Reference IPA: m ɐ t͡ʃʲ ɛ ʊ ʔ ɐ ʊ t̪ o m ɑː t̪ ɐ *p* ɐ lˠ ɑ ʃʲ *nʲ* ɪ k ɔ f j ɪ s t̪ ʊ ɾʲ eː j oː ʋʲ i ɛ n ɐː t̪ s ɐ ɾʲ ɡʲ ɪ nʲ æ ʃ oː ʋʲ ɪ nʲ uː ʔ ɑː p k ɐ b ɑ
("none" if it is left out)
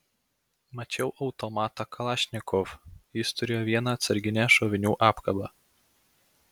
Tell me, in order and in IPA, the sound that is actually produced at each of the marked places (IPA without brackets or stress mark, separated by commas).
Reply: k, nʲ